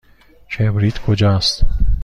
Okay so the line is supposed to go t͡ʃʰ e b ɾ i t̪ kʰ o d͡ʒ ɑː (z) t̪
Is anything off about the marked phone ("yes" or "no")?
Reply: yes